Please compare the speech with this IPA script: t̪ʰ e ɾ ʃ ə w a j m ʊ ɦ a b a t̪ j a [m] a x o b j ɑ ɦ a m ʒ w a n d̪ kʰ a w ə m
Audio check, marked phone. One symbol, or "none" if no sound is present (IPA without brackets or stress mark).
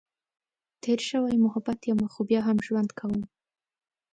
m